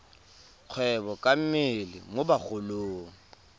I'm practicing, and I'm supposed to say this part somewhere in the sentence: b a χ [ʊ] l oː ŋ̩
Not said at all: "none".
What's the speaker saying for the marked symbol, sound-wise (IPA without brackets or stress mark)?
ʊ